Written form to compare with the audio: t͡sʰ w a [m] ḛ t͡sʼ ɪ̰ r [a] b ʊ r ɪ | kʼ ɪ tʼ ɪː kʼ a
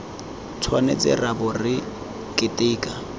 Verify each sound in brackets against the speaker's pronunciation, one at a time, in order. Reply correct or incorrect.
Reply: incorrect: n, correct

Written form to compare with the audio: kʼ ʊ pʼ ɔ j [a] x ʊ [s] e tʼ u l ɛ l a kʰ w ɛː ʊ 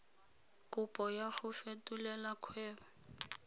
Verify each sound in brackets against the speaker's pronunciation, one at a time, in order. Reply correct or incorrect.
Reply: correct, incorrect: f

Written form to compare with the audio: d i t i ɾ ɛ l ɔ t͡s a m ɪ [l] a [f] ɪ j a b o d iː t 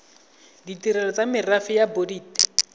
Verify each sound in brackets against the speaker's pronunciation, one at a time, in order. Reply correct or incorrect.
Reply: incorrect: r, correct

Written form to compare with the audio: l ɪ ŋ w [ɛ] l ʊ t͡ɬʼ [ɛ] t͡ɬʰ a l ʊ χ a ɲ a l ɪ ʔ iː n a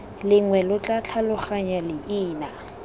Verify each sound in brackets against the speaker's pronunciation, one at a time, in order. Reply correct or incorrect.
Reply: correct, incorrect: a

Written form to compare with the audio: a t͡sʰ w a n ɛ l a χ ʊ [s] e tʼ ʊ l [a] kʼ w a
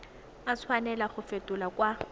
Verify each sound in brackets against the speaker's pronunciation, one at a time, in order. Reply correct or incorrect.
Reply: incorrect: f, correct

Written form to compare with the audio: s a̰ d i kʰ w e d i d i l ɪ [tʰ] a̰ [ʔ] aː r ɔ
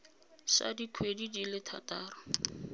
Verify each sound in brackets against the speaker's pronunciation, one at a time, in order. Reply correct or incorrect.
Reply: correct, incorrect: t

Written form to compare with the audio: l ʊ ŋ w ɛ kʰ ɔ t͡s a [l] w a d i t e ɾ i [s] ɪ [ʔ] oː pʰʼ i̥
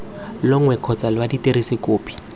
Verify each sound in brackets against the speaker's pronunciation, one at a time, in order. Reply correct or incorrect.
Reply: correct, correct, incorrect: k

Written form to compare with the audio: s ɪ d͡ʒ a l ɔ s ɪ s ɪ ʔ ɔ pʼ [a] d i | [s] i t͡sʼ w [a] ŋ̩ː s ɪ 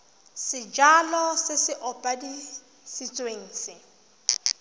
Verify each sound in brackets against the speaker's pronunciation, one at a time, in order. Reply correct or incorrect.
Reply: correct, correct, incorrect: e

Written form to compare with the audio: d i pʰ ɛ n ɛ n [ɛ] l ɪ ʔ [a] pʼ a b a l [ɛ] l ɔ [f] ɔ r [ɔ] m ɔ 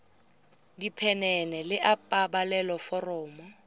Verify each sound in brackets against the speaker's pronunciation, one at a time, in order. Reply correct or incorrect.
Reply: correct, correct, correct, correct, incorrect: ɔː

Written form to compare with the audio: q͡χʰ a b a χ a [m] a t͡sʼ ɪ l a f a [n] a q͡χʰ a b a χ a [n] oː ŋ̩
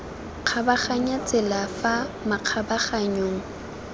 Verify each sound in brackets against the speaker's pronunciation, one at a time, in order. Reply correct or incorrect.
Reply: incorrect: ɲ, incorrect: m, incorrect: ɲ

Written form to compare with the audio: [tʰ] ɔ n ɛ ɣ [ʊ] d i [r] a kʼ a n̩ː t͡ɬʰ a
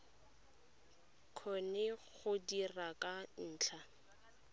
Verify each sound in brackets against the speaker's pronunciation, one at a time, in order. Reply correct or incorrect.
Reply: incorrect: kʰ, correct, correct

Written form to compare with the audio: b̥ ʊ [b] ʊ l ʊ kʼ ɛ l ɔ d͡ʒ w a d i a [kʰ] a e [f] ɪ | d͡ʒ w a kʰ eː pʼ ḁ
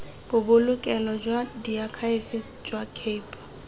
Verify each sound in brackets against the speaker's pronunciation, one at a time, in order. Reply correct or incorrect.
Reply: correct, correct, correct

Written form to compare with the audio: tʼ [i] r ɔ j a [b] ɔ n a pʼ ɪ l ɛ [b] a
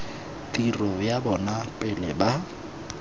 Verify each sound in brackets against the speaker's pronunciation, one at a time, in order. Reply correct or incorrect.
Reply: correct, correct, correct

